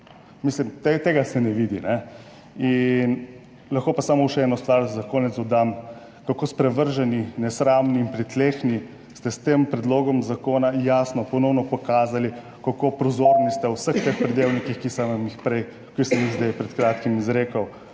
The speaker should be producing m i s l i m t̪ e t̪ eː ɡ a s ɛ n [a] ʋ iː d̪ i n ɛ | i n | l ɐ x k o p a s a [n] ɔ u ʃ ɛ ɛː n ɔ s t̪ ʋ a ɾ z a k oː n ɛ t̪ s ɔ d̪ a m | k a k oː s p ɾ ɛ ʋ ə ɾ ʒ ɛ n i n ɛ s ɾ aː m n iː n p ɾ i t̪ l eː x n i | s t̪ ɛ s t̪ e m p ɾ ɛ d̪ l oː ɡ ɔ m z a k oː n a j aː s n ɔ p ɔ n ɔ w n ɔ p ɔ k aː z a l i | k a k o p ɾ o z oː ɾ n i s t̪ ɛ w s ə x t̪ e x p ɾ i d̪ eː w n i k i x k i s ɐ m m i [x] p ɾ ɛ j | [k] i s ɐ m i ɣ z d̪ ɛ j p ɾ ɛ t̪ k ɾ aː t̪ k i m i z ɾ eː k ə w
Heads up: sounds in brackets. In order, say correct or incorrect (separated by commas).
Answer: incorrect, incorrect, correct, correct